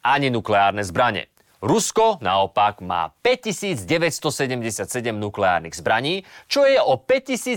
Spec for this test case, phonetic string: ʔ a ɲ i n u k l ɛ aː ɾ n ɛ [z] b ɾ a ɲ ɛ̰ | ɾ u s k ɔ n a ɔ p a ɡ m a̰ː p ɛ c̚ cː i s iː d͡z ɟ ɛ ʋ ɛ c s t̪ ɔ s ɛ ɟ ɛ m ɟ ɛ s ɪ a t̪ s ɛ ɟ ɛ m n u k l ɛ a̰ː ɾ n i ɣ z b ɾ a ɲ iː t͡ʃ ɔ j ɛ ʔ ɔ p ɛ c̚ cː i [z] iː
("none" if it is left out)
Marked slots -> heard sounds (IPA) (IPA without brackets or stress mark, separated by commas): z, s